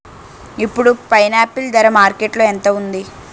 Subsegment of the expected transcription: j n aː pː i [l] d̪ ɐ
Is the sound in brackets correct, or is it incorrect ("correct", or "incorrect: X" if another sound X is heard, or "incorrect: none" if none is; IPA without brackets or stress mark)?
correct